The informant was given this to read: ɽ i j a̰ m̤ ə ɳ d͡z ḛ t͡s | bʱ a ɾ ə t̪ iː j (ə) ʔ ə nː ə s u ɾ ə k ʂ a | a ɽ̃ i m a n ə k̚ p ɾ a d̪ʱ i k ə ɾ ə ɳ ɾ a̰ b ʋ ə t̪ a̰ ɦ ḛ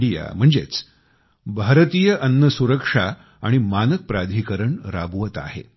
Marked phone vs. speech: correct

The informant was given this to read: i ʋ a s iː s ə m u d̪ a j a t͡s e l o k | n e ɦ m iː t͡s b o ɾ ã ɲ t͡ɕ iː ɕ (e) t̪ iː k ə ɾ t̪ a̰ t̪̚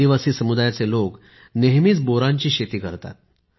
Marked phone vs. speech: correct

